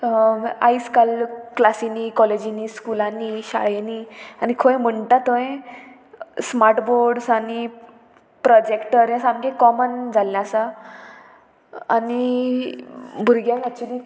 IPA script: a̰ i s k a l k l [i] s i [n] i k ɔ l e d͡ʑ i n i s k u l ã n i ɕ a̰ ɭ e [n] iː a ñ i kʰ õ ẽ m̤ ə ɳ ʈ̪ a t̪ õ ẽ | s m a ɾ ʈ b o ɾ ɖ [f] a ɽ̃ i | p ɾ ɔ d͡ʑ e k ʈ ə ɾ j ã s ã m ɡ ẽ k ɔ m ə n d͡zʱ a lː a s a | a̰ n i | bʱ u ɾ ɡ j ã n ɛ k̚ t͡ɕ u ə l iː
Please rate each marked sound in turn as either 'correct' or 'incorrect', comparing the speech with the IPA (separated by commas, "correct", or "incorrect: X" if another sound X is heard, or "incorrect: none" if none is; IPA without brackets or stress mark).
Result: incorrect: a, correct, correct, incorrect: s